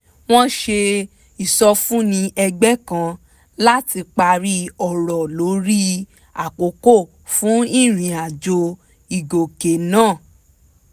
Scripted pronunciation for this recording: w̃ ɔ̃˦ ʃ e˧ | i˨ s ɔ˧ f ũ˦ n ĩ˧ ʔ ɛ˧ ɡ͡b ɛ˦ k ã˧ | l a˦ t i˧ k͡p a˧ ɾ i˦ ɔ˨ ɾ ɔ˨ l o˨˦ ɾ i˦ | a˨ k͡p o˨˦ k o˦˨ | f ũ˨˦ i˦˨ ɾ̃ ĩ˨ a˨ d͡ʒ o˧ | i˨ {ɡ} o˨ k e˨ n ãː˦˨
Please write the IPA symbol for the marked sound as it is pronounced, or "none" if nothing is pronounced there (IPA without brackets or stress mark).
ɡ